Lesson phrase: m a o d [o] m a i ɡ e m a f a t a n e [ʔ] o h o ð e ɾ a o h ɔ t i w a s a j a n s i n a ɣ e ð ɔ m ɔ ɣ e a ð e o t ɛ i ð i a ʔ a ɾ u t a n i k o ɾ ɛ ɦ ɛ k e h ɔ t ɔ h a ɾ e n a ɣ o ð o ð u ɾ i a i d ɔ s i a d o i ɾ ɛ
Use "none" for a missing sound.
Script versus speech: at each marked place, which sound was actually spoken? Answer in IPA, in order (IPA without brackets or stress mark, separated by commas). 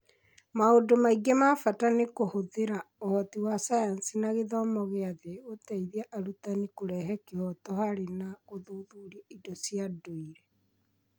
o, k